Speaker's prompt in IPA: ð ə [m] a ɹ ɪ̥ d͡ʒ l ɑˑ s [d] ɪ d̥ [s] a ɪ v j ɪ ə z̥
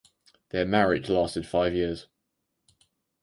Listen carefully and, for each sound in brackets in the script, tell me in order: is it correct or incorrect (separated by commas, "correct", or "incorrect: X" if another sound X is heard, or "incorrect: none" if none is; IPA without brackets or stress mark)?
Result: correct, incorrect: t, incorrect: f